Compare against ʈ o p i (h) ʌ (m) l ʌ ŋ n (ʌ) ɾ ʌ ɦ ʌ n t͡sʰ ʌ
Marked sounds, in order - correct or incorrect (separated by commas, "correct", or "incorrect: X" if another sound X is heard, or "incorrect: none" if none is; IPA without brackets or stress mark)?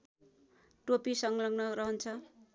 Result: incorrect: s, incorrect: ŋ, correct